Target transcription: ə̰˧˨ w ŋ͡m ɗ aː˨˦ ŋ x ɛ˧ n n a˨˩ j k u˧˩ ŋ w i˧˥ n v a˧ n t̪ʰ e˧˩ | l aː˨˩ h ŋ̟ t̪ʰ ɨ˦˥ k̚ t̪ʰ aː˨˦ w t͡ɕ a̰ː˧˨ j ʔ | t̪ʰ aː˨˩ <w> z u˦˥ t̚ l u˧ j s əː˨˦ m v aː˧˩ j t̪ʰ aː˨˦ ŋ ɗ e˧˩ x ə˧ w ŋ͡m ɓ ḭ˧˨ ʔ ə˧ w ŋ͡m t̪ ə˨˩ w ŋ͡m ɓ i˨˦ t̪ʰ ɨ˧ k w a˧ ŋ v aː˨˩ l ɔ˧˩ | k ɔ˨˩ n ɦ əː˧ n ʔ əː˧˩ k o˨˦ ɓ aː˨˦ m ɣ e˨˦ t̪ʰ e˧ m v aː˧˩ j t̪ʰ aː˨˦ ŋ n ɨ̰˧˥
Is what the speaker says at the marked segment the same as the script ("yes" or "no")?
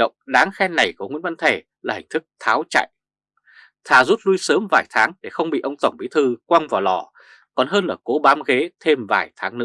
no